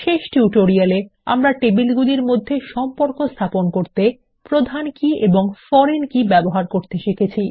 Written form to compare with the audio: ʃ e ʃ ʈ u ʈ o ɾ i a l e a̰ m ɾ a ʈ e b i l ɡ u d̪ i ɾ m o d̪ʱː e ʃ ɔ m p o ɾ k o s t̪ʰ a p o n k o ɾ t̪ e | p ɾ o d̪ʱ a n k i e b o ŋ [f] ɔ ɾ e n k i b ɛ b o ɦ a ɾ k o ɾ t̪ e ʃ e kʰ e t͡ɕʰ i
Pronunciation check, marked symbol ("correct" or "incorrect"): correct